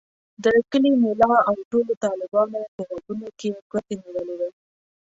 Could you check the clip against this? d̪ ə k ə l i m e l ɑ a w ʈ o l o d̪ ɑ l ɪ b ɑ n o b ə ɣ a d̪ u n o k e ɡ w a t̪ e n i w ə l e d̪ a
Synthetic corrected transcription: d̪ ə k ə l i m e l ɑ a w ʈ o l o t̪ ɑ l ɪ b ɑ n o p ə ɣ a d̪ u n o k e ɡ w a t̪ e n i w ə l e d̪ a

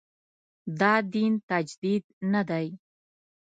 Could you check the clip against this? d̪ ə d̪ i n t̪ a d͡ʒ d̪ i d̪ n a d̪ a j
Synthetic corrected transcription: d̪ ɑ d̪ i n t̪ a d͡ʒ d̪ i d̪ n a d̪ a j

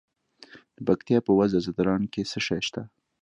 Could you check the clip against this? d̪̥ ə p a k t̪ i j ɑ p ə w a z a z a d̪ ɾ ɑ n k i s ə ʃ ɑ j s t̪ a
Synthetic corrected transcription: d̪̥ ə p a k t̪ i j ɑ p ə w a z a z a d̪ ɾ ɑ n k e s ə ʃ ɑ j ʃ t̪ a

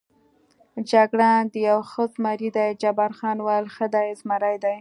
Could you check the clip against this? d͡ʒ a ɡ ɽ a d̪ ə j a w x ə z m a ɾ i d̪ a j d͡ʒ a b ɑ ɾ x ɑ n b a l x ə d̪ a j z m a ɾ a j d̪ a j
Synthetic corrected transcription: d͡ʒ a ɡ ɽ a d̪ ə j a w x ə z m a ɾ i d̪ a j d͡ʒ a b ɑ ɾ x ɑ n w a l x ə d̪ a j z m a ɾ a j d̪ a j

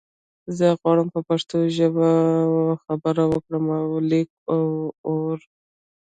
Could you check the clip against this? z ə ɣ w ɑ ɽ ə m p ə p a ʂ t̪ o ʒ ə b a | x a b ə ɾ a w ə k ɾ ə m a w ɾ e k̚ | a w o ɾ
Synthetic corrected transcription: z ə ɣ w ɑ ɽ ə m p ə p a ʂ t̪ o ʒ ə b a | x a b ə ɾ a w ə k ɽ ə m a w l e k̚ | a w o ɾ

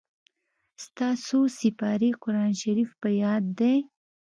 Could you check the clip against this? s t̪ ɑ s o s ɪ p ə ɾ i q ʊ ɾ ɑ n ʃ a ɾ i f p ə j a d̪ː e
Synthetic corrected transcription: s t̪ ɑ s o s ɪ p ɑ ɾ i q ʊ ɾ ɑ n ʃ a ɾ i f p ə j ɑ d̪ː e

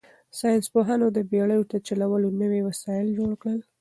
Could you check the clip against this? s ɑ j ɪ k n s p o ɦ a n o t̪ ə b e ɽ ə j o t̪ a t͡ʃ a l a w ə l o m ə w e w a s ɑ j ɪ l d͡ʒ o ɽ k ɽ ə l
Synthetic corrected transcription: s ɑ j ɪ n s p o ɦ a n o d̪ ə b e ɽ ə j o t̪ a t͡ʃ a l a w ə l o n ə w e w a s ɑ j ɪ l d͡ʒ o ɽ k ɽ ə l

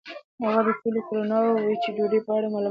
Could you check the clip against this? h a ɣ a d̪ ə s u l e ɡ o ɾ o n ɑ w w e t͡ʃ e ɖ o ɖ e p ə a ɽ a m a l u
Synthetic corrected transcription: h a ɣ a d̪ ə s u l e k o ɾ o n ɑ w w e t͡ʃ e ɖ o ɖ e p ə a ɽ a m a l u

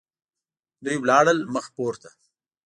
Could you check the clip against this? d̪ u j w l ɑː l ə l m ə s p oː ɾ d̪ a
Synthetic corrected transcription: d̪ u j w l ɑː ɽ ə l m ə x p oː ɾ t̪ a

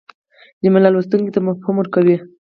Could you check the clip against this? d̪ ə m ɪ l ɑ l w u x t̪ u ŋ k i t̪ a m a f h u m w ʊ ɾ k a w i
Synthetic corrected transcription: d̪ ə m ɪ l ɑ l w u s t̪ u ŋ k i t̪ a m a f h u m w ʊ ɾ k a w i

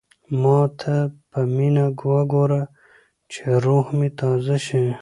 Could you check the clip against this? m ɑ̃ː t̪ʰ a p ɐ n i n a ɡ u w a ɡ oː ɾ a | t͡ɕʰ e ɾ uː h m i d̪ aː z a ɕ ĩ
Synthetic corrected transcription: m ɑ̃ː t̪ʰ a p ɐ m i n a ɡ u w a ɡ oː ɾ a | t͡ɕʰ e ɾ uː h m i t̪ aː z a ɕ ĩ

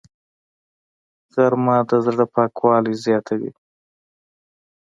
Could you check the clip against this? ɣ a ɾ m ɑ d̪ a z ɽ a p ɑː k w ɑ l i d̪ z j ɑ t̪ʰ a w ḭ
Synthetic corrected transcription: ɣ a ɾ m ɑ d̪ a z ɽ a p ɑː k w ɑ l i z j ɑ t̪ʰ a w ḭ

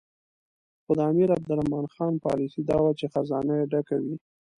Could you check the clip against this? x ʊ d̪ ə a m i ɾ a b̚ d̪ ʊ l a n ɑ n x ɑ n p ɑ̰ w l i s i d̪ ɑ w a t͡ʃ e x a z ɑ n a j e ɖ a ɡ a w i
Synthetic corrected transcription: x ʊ d̪ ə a m i ɾ a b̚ d̪ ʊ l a m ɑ n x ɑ n p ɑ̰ l i s i d̪ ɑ w a t͡ʃ e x a z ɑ n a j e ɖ a k a w i

